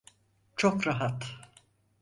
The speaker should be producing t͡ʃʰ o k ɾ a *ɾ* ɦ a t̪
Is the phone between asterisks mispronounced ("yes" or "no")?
yes